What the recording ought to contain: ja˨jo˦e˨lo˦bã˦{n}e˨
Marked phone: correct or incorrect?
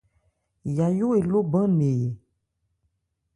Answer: correct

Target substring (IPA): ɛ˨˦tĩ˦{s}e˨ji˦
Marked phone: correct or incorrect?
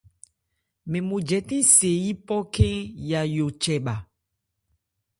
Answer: correct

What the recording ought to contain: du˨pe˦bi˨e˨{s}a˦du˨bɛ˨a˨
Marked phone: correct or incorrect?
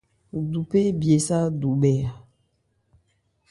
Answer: correct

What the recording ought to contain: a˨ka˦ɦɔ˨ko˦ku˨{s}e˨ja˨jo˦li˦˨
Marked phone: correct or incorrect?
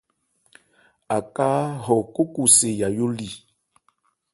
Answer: correct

